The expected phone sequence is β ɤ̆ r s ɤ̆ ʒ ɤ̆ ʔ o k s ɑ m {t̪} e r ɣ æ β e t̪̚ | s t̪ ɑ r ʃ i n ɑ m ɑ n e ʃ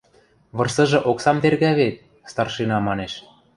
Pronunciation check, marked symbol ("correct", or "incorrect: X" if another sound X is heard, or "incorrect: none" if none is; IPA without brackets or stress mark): correct